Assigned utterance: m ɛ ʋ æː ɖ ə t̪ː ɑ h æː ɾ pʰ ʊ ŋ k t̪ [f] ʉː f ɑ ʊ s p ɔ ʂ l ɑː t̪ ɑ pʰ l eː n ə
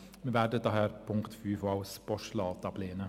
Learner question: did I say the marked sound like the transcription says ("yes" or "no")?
yes